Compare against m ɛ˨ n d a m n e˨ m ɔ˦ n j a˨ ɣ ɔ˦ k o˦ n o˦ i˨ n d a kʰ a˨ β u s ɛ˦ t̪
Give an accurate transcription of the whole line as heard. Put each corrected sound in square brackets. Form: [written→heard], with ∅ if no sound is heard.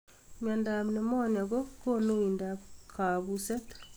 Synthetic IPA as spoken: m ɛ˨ n d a m n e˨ m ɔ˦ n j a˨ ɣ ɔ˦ k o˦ n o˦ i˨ n d a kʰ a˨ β u s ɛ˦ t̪

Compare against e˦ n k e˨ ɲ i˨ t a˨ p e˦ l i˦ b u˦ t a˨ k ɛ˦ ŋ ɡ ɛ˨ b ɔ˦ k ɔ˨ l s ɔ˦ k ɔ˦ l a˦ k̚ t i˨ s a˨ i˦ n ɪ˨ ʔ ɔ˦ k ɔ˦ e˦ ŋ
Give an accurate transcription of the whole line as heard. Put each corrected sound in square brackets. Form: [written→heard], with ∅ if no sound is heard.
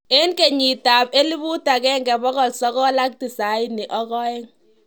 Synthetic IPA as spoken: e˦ n k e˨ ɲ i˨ t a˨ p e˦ l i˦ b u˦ t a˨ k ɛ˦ ŋ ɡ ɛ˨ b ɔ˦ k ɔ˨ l s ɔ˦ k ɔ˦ l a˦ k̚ t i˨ s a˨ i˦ n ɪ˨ ʔ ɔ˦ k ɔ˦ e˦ ŋ

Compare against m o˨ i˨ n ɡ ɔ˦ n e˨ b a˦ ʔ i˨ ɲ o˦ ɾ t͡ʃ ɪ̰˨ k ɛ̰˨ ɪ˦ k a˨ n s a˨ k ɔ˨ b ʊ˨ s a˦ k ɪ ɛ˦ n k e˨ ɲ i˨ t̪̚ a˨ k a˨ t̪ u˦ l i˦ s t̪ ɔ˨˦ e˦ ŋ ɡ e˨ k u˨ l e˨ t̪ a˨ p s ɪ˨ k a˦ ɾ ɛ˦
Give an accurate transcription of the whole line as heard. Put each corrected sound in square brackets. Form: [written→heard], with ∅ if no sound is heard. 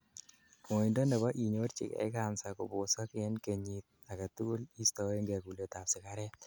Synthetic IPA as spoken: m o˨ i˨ n [ɡ→d] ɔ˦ n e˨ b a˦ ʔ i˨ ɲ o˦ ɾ t͡ʃ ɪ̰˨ k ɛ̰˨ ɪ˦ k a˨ n s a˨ k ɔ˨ b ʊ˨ s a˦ k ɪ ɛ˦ n k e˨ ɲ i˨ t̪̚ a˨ k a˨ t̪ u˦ l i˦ s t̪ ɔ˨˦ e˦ ŋ ɡ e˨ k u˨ l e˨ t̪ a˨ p s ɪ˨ k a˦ ɾ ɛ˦

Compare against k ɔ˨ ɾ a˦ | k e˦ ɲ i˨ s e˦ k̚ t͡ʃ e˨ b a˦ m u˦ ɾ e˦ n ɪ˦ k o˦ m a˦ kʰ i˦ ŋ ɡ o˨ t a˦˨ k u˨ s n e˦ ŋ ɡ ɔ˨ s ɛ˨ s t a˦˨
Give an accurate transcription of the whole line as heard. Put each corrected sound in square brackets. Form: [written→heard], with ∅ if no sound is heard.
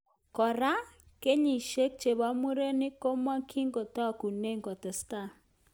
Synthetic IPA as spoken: k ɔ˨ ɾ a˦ | k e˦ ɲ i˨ [s→ʃ] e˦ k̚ t͡ʃ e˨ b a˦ m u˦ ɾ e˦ n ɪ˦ k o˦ m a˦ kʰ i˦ ŋ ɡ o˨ t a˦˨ k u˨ [s→∅] n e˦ ŋ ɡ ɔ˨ [s→t] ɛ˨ s t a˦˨

